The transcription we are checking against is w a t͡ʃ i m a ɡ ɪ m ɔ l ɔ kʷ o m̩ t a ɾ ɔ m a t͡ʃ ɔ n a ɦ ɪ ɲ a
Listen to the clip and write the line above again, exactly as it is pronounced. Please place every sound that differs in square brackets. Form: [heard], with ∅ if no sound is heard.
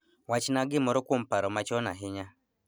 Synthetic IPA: w a t͡ʃ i [n] a ɡ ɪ m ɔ [ɾ] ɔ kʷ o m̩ [p] a ɾ ɔ m a t͡ʃ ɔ n a ɦ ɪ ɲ a